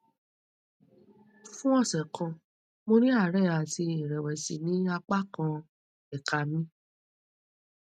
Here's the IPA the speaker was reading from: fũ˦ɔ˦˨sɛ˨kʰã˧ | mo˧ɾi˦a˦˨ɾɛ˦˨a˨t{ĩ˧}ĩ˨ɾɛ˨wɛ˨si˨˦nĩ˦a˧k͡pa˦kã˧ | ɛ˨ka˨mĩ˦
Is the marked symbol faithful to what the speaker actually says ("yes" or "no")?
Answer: no